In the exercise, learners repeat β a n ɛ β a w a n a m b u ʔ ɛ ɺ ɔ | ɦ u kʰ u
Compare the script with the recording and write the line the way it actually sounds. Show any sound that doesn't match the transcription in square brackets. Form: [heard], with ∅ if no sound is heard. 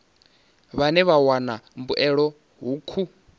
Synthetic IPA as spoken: β a n ɛ β a w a n a m b u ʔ ɛ ɺ ɔ | ɦ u kʰ u